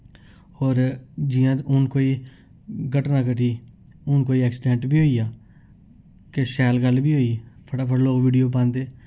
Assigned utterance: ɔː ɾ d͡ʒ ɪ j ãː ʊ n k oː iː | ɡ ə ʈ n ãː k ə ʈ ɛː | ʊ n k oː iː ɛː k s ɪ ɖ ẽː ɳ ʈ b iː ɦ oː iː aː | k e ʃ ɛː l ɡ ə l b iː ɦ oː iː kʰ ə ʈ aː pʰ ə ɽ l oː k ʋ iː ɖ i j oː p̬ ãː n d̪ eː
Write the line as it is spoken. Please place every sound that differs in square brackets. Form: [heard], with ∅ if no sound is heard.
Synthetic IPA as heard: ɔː ɾ d͡ʒ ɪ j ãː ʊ n k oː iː | ɡ ə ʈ n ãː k ə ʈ [iː] | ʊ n k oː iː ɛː k s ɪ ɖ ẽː ɳ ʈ b iː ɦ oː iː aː | k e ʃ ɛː l ɡ ə l b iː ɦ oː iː [pʰ] ə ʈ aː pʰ ə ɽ l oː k ʋ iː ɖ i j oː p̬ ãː n d̪ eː